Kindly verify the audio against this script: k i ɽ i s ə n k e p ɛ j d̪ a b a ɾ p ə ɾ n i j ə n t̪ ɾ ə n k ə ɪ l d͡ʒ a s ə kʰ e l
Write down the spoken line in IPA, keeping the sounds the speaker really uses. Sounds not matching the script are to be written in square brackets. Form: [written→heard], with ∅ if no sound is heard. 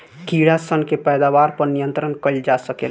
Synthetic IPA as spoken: k i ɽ [i→a] s ə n k e p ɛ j d̪ a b a ɾ p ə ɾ n i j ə n t̪ ɾ ə n k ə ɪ l d͡ʒ a s ə [kʰ→k] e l

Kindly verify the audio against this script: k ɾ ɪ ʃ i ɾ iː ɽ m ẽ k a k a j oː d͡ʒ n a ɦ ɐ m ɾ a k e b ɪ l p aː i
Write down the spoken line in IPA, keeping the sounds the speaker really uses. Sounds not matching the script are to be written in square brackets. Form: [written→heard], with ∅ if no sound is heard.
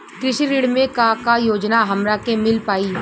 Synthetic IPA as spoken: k ɾ ɪ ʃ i ɾ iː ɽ m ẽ k a k a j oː d͡ʒ n a ɦ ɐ m ɾ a k e [b→m] ɪ l p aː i

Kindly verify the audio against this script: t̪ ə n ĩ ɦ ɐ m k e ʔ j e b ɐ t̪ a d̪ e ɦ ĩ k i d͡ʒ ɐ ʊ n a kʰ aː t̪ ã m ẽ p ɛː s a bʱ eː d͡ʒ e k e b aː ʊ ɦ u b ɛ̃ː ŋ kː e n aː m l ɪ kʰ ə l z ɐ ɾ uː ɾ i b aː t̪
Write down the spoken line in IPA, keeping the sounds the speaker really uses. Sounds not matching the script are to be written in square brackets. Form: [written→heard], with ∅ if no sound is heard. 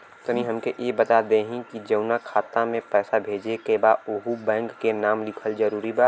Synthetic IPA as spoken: t̪ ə n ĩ ɦ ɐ m k e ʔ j e b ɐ t̪ a d̪ e ɦ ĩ k i d͡ʒ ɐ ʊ n a kʰ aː t̪ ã m ẽ p ɛː s a bʱ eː d͡ʒ e k e b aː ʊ ɦ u b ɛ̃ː ŋ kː e n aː m l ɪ kʰ ə l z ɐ ɾ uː ɾ i b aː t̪

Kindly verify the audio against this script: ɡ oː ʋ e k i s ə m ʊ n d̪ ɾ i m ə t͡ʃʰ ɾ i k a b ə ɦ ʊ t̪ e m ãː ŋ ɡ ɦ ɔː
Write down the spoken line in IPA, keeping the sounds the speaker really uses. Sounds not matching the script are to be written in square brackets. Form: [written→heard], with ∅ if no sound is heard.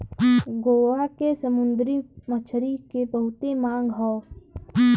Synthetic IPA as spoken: ɡ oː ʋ [e→a] k [i→e] s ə m ʊ n d̪ ɾ i m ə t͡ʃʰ ɾ i k [a→e] b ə ɦ ʊ t̪ e m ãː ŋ ɡ ɦ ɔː

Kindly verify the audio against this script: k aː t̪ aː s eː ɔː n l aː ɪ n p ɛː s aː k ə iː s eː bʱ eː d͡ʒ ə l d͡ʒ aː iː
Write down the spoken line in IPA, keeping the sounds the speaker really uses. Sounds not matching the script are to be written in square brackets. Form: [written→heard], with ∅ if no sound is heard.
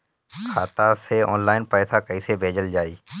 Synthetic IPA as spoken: [k→kʰ] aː t̪ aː s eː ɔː n l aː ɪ n p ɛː s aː k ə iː s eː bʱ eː d͡ʒ ə l d͡ʒ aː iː

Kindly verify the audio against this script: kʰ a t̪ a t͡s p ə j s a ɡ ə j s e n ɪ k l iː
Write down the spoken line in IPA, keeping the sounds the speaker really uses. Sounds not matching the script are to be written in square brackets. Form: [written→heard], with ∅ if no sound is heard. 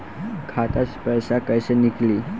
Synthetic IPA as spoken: kʰ a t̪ a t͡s p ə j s a [ɡ→k] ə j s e n [ɪ→i] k l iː

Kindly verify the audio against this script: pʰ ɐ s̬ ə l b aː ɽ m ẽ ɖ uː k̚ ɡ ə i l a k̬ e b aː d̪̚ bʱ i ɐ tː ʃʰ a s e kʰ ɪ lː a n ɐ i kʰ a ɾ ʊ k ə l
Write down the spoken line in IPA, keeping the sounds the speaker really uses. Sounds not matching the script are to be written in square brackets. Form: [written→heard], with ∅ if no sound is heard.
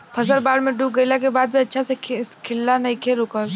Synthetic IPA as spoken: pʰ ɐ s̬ ə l b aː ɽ m ẽ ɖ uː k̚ ɡ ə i l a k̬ e b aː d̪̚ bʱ i ɐ tː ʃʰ a s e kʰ ɪ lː a n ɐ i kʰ [a→e] ɾ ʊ k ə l

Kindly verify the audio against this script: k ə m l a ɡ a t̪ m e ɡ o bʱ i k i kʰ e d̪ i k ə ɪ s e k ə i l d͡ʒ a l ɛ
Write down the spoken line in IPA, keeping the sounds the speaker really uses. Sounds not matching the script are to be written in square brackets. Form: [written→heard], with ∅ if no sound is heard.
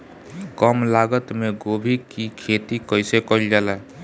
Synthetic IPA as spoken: k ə m l a ɡ [a→ə] t̪ m e ɡ o bʱ i k i kʰ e [d̪→t̪] i k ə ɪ s e k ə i l d͡ʒ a l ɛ

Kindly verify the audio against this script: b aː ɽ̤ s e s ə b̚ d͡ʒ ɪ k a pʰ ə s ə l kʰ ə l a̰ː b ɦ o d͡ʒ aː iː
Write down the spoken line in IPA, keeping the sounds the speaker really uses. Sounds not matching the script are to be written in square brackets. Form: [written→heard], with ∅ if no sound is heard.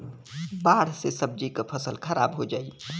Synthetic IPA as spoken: b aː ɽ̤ s e s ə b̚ d͡ʒ [ɪ→i] k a pʰ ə s ə l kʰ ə [l→ɾ] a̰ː b ɦ o d͡ʒ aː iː

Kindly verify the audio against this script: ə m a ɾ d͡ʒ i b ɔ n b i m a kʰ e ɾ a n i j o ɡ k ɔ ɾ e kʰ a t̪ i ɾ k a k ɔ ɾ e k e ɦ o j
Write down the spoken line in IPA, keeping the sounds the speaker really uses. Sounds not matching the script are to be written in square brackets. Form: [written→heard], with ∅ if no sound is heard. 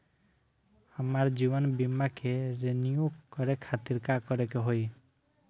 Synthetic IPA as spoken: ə m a ɾ d͡ʒ i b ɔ n b i m a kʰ e ɾ [a→e] n i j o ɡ k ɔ ɾ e kʰ a t̪ i ɾ k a k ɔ ɾ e k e ɦ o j

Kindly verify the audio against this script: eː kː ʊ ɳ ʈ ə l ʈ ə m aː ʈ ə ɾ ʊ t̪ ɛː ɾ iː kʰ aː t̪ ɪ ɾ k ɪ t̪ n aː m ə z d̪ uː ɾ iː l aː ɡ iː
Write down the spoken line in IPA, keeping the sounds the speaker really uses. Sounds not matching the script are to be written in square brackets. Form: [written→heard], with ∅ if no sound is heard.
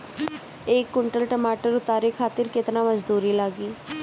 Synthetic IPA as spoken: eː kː ʊ ɳ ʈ ə l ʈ ə m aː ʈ ə ɾ ʊ t̪ [ɛː→aː] ɾ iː kʰ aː t̪ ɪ ɾ k ɪ t̪ n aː m ə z d̪ uː ɾ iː l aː ɡ iː

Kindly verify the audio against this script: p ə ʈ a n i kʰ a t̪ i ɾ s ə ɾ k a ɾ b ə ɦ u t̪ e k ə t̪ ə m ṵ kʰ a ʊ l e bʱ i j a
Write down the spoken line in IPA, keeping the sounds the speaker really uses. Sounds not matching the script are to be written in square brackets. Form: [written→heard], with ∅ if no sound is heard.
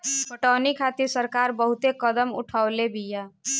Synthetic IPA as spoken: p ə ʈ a n i kʰ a t̪ i ɾ s ə ɾ k a ɾ b ə ɦ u t̪ e k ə [t̪→d̪] ə m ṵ [kʰ→ʈʰ] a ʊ l e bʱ i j a

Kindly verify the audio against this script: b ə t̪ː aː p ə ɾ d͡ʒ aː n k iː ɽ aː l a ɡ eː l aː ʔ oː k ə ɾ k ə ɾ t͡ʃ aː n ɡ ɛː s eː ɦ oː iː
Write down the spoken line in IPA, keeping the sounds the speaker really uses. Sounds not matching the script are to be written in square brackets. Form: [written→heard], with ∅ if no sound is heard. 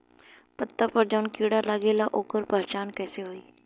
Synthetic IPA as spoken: [b→p] ə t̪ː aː p ə ɾ d͡ʒ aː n k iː ɽ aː l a ɡ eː l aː ʔ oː k ə ɾ [k→p] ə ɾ t͡ʃ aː n [ɡ→k] ɛː s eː ɦ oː iː

